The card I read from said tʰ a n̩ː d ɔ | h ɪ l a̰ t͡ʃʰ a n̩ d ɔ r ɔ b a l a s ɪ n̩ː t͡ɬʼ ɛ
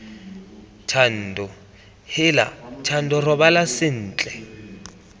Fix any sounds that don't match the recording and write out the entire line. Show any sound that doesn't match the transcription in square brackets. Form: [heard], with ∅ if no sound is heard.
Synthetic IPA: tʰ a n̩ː d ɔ | h ɪ l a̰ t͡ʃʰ a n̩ d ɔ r ɔ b a l a s ɪ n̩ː t͡ɬʼ ɛ